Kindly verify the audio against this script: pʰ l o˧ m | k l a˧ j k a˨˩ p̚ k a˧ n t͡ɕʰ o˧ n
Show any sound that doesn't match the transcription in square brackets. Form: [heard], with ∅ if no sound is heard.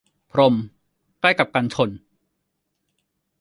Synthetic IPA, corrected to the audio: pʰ [ɾ] o˧ m | k l [a˥˩] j k a˨˩ p̚ k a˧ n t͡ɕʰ o˧ n